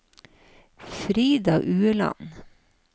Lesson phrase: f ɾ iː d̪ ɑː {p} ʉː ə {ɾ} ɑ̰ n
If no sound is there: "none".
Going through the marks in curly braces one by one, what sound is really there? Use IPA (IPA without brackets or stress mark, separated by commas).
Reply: ʔ, l